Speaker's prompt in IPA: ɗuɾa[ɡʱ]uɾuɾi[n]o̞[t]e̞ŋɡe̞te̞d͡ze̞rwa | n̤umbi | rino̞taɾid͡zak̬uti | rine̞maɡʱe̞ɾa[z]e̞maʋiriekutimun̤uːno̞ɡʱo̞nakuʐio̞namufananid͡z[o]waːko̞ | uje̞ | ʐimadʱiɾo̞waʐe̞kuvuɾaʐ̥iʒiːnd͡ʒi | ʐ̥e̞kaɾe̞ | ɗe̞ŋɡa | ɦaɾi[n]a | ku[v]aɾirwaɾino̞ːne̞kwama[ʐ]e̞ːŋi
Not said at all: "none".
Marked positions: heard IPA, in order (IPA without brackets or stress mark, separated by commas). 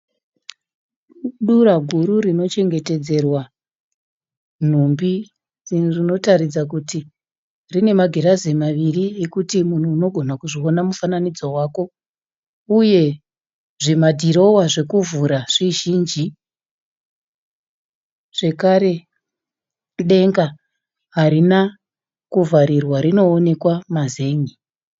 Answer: ɡʱ, n, t͡ʃ, z, o, n, v, z